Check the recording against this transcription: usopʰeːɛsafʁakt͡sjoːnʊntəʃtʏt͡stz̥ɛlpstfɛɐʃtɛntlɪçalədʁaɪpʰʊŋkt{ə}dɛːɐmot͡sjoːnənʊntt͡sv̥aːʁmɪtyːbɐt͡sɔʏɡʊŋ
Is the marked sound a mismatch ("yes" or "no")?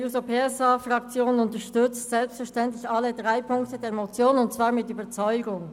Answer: no